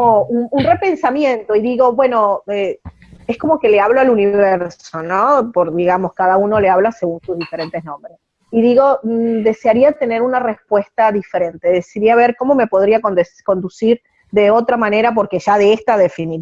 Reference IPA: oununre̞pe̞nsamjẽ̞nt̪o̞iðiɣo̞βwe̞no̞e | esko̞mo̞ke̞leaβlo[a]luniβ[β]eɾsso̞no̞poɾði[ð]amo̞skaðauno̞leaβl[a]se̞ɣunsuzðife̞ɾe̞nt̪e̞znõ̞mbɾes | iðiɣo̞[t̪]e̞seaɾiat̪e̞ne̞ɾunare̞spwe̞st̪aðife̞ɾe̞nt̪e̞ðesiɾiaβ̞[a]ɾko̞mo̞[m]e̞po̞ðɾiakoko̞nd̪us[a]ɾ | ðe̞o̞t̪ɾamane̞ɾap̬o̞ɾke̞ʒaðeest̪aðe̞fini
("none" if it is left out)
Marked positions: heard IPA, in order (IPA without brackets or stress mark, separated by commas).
a, β, ɣ, a, d̪, e, m, i